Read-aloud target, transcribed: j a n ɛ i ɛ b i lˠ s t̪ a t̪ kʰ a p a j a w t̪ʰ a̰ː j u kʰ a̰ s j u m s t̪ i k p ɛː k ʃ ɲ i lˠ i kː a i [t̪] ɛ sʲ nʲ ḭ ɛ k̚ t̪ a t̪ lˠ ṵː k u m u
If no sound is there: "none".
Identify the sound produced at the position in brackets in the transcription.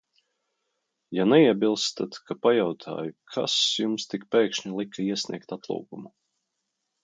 none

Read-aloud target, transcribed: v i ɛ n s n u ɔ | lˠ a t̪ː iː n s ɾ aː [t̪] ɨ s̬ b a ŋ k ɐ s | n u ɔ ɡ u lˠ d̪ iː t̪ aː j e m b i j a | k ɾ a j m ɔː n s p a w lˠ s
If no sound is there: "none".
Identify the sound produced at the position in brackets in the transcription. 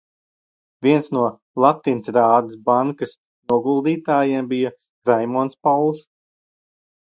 d̪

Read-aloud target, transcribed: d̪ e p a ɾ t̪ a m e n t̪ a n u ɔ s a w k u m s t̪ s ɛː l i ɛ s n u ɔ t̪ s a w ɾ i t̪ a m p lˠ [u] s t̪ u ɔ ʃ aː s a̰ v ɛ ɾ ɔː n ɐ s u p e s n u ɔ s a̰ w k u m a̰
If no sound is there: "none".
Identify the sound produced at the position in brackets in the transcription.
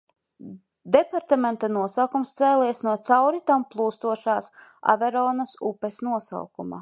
uː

